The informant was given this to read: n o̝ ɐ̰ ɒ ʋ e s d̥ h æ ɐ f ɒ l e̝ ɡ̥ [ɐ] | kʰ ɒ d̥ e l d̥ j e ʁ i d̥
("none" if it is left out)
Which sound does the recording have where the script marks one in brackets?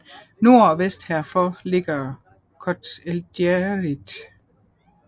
ɐ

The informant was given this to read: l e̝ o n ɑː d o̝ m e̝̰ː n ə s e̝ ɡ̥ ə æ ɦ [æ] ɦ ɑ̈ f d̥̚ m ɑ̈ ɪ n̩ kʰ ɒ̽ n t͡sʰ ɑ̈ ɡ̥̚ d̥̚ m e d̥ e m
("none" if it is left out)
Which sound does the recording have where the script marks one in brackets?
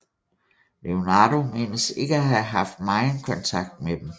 æ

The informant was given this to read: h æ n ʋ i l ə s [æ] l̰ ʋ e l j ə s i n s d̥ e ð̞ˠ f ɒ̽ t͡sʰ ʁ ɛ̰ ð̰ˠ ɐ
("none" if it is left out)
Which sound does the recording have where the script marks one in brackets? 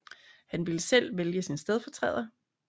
e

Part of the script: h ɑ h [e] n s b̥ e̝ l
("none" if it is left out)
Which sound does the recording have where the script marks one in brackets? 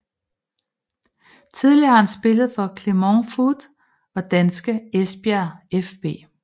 æ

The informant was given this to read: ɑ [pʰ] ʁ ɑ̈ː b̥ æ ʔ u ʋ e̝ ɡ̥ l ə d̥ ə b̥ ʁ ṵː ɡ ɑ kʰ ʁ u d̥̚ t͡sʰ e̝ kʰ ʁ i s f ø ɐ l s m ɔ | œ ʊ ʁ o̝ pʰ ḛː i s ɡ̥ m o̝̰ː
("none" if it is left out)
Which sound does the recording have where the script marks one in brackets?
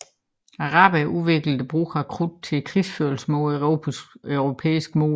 none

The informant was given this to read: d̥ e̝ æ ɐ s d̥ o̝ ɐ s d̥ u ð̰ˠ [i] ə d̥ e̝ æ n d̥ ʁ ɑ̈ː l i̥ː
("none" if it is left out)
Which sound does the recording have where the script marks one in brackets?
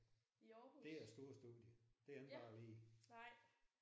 j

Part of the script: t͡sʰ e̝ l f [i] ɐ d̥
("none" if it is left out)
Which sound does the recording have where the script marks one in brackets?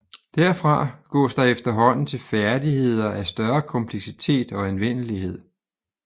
æ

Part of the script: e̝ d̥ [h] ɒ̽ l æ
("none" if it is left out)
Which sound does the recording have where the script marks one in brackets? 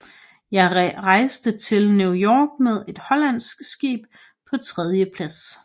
h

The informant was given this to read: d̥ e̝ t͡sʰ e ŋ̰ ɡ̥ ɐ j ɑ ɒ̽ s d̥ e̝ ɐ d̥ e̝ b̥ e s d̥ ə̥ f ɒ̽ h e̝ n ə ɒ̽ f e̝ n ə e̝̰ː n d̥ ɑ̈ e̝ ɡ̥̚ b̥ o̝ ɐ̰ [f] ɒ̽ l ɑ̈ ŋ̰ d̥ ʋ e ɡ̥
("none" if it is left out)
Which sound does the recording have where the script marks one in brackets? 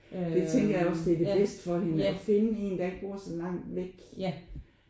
s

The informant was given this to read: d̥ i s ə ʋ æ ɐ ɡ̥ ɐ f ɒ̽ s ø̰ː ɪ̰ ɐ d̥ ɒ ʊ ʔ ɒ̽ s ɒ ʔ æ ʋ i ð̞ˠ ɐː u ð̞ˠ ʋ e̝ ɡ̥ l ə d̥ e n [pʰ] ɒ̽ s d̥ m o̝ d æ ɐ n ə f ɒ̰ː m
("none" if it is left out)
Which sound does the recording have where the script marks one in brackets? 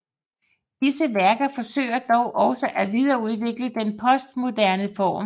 pʰ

